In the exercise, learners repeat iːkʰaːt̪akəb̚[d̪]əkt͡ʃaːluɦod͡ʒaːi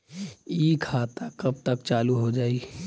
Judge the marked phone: incorrect: t̪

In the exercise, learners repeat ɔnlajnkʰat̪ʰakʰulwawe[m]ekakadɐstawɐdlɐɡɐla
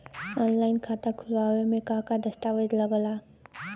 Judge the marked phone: correct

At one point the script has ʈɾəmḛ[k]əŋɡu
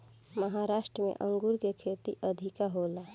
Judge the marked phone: incorrect: ʔ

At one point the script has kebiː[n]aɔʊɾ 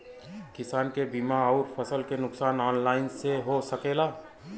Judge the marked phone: incorrect: m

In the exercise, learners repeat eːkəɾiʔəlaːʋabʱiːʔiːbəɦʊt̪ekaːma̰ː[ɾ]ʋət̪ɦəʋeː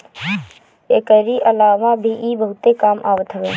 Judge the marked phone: incorrect: none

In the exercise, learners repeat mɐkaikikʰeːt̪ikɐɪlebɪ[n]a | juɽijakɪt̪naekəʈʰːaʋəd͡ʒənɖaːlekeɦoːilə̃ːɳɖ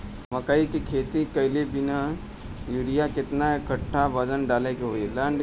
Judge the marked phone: correct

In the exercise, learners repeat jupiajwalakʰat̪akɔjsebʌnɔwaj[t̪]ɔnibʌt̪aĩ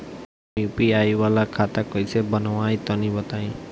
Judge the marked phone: correct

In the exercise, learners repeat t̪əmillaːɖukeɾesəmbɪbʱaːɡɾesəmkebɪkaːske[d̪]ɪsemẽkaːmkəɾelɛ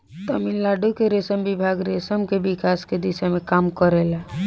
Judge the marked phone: correct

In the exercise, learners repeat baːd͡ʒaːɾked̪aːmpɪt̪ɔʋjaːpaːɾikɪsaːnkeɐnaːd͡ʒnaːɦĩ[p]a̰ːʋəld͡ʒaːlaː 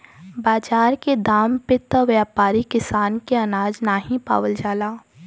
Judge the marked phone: correct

